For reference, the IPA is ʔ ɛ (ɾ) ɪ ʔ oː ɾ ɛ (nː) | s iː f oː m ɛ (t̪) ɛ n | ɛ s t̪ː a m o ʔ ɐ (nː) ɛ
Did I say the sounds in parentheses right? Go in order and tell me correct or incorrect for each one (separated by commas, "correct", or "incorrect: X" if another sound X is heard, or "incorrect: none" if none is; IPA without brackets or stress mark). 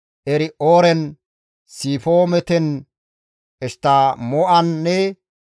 correct, incorrect: n, correct, correct